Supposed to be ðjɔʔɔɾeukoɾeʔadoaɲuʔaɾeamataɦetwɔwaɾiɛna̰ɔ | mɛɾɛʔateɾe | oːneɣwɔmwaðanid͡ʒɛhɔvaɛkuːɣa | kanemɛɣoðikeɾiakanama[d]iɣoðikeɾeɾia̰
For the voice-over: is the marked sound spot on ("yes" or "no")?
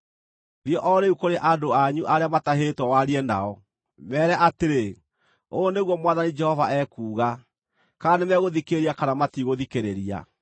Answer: no